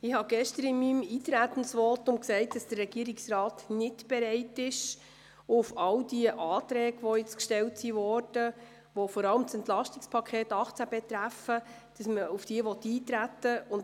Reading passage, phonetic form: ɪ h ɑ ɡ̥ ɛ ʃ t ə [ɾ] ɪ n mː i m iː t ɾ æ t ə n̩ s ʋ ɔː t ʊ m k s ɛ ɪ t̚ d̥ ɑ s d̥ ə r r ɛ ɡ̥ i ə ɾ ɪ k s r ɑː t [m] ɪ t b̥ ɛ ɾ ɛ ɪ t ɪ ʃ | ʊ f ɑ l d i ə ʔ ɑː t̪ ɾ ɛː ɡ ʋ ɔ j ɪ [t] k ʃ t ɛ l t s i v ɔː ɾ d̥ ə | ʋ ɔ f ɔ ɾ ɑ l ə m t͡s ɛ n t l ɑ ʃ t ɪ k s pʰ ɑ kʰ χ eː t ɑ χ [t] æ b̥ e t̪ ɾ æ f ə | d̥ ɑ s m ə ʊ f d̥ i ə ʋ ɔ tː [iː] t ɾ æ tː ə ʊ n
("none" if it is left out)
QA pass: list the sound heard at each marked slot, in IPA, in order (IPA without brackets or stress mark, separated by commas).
ɾ, n, t͡s, t͡s, iː